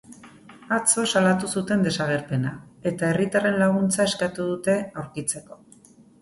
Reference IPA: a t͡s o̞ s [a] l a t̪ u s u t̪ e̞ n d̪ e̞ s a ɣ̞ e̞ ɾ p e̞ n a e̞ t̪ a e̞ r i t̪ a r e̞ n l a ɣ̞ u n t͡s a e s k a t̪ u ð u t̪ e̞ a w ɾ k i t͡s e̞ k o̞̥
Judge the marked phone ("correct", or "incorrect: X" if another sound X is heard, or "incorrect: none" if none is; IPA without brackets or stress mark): correct